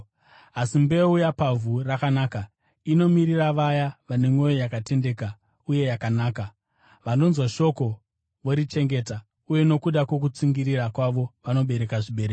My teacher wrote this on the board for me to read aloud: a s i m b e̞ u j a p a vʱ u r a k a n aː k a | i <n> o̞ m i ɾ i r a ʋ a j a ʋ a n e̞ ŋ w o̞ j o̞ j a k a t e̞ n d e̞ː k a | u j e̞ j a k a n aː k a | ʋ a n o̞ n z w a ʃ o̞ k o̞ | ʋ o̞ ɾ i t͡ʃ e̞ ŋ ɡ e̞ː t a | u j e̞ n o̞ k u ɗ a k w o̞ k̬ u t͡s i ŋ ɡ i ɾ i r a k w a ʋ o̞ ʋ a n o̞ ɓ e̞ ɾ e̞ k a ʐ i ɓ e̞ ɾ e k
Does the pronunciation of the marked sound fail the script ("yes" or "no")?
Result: no